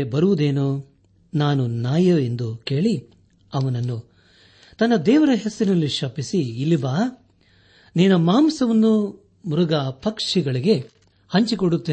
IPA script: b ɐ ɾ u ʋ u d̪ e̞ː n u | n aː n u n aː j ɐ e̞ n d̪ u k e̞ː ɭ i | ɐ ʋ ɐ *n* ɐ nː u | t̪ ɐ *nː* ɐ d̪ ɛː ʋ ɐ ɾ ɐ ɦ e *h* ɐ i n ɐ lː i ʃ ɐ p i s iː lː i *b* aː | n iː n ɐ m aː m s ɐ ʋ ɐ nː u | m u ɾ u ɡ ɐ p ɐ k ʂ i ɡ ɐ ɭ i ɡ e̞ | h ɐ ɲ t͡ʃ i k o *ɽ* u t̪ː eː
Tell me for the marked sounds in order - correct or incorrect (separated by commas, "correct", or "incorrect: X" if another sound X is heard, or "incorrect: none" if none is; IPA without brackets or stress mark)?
correct, correct, incorrect: s, correct, correct